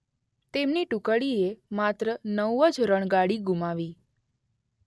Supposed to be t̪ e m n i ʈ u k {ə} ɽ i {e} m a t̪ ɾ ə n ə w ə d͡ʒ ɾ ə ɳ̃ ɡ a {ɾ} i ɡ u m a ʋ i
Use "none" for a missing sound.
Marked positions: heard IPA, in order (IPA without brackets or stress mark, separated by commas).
ə, e, ɽ